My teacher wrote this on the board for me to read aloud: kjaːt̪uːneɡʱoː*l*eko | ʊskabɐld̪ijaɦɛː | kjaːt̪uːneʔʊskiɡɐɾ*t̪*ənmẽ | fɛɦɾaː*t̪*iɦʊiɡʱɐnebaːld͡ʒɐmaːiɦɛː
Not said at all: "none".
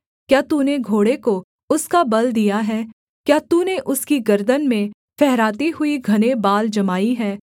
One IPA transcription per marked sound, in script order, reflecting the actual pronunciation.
ɽ, d̪, t̪

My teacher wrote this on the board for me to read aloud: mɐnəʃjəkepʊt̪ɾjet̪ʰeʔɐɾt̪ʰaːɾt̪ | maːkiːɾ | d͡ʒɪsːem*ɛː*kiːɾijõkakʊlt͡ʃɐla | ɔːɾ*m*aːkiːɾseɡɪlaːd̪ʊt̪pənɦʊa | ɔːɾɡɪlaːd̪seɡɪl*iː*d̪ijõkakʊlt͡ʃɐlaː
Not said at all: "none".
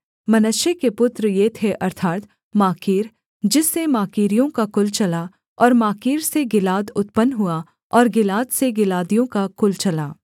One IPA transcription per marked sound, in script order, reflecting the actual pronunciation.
aː, m, aː

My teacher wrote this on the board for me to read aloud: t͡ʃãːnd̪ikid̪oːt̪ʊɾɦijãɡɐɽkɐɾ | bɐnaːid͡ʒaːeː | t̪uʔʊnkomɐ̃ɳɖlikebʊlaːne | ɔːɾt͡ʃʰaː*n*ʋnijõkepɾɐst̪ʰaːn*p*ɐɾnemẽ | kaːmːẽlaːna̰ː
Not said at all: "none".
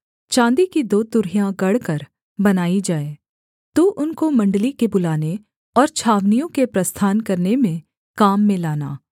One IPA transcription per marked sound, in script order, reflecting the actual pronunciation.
none, k

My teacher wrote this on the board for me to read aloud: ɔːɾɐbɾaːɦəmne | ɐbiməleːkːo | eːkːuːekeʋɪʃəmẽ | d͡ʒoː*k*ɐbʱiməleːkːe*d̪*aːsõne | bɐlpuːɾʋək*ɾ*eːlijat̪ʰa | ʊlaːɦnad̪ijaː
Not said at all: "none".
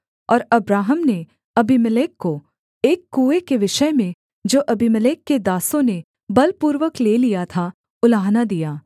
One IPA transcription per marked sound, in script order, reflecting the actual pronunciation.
ʔ, d̪, l

